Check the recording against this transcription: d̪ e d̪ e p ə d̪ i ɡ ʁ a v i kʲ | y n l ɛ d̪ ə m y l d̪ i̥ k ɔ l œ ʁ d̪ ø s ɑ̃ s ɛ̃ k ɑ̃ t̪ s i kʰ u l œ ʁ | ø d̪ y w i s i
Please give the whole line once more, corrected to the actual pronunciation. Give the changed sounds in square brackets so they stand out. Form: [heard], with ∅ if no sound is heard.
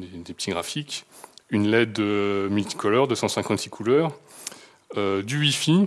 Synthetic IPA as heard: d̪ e d̪ e p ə [t̪] i ɡ ʁ a [f] i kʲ | y n l ɛ d̪ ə m y l [t̪] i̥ k ɔ l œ ʁ d̪ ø s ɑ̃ s ɛ̃ k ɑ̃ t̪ s i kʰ u l œ ʁ | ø d̪ y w i [f] i